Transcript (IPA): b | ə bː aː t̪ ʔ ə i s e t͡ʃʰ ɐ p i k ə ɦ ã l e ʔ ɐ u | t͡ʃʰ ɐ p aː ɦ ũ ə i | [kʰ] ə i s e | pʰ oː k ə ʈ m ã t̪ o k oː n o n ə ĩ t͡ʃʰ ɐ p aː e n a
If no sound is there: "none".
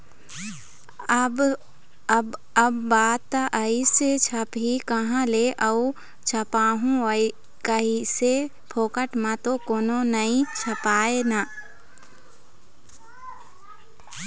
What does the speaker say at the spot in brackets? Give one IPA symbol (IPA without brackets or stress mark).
k